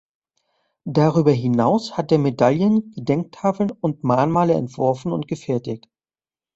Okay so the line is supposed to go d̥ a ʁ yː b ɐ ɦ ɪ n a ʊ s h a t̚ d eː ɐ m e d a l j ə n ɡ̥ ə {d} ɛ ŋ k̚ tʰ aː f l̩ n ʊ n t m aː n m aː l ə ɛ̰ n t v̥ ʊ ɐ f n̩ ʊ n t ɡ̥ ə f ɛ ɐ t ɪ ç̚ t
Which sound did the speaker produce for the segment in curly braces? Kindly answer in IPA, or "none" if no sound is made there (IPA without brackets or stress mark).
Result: d